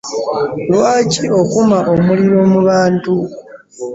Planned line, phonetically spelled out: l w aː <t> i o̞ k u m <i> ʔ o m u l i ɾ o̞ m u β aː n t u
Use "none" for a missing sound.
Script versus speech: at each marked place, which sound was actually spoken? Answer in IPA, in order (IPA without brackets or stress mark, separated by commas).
c, a